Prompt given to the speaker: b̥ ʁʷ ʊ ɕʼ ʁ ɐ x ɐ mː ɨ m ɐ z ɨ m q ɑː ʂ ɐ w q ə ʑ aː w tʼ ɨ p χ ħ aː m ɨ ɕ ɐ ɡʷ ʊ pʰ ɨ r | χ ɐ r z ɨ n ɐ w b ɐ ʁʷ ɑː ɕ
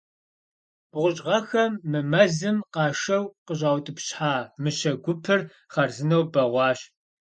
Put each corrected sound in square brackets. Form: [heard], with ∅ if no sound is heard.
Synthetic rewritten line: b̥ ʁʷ ʊ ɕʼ ʁ ɐ x ɐ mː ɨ m ɐ z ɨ m q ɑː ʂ ɐ w q ə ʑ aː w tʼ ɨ p [ɕ] ħ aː m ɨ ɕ ɐ ɡʷ ʊ pʰ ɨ r | χ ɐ r z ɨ n ɐ w b ɐ ʁʷ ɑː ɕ